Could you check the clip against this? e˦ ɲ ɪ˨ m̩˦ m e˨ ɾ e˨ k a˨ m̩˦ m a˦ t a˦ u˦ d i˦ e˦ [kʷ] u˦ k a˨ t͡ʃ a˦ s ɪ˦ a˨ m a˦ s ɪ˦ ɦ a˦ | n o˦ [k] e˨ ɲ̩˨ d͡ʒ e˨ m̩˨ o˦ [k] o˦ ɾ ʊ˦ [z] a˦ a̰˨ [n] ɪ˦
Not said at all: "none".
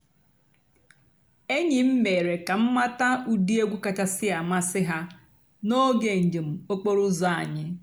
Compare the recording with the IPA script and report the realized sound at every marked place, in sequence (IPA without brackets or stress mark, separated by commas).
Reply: ɡʷ, ɡ, k͡p, z, ɲ